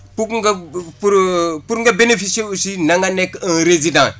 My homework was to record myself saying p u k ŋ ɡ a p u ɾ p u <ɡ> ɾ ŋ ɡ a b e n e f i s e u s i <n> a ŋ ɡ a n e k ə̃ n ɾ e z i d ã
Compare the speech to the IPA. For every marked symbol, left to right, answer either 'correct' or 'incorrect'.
incorrect: none, correct

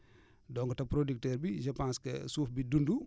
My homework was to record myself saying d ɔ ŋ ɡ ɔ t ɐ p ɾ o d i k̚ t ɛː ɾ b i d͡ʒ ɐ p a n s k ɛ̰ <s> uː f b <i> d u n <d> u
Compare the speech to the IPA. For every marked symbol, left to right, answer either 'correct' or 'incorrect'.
correct, correct, correct

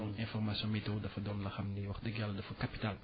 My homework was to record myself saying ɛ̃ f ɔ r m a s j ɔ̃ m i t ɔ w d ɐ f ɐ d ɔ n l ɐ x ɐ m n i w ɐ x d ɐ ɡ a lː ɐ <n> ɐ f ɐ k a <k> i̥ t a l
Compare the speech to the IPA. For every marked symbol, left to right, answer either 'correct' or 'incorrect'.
incorrect: d, incorrect: p

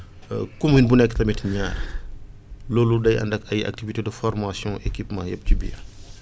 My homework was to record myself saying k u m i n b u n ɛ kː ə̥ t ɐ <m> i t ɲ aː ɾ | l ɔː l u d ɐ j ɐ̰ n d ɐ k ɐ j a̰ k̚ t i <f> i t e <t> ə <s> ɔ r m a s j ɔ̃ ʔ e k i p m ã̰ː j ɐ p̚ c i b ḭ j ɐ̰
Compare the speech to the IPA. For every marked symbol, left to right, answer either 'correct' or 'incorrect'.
correct, incorrect: v, incorrect: d, incorrect: f

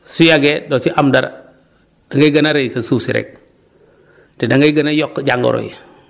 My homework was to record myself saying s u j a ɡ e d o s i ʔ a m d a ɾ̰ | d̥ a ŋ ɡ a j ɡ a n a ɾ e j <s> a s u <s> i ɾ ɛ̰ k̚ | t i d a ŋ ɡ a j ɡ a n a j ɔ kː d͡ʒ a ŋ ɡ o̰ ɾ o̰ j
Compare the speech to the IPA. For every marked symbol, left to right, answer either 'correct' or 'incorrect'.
correct, correct

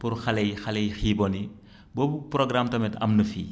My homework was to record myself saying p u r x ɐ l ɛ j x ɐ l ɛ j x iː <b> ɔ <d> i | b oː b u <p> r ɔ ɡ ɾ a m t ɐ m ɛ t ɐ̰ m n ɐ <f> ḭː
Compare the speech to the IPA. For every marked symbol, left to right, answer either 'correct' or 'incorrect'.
correct, incorrect: n, correct, correct

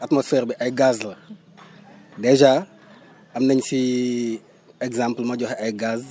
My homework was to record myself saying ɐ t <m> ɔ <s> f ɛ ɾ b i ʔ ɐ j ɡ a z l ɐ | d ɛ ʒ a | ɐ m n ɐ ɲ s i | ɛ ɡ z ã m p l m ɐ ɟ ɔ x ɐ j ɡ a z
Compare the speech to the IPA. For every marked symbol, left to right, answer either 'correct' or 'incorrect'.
correct, correct

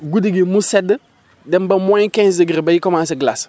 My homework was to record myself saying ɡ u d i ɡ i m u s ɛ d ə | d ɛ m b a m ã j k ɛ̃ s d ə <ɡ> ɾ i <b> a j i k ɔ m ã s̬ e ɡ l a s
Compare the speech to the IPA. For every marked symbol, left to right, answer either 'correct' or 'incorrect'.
correct, correct

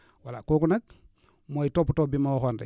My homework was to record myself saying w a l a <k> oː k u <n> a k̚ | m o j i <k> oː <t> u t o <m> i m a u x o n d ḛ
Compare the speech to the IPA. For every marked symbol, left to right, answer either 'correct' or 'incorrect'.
correct, correct, incorrect: t, incorrect: p, incorrect: b

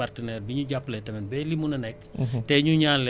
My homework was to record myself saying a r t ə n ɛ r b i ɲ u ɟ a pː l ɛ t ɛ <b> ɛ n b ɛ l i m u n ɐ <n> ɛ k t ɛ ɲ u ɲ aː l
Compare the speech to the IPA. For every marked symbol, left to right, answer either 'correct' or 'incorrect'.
incorrect: m, correct

